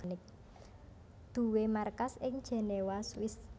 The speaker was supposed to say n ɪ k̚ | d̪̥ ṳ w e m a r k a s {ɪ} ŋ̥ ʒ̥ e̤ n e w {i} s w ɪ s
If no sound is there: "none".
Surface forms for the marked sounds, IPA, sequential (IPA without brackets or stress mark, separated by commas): ɪ, a